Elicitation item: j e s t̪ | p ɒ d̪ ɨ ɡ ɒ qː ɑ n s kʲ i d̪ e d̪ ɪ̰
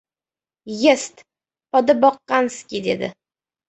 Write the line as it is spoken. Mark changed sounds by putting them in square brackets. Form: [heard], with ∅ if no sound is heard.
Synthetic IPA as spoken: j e s t̪ | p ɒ d̪ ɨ [b] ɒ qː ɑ n s kʲ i d̪ e d̪ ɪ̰